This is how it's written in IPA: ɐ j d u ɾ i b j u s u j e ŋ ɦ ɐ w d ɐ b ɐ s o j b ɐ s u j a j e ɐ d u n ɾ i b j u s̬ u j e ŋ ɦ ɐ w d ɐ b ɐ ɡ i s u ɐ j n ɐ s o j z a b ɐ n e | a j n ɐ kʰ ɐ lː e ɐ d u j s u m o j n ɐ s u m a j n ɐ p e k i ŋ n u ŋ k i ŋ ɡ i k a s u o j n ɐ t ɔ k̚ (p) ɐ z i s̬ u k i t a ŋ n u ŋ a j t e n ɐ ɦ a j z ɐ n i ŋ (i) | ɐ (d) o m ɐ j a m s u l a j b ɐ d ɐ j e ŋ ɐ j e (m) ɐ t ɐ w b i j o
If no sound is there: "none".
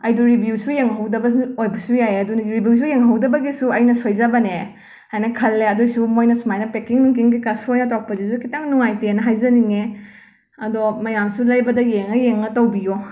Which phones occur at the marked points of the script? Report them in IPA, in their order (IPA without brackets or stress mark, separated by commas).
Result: p, e, d, ŋ